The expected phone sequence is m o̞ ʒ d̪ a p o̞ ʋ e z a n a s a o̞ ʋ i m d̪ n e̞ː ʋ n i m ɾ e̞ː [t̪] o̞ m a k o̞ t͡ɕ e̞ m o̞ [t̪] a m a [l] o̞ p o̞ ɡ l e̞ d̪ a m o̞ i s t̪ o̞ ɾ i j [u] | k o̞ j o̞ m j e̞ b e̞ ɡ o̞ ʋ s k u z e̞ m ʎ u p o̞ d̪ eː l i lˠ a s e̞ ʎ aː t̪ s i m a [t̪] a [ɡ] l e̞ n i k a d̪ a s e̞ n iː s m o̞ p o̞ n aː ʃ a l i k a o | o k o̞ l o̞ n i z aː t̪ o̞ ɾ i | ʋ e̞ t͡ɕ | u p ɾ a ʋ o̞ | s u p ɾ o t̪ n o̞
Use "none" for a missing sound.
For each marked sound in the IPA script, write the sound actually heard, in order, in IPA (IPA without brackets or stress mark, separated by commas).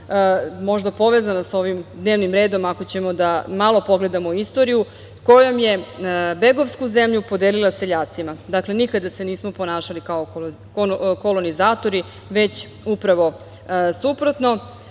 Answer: d̪, d̪, l, u, d̪, k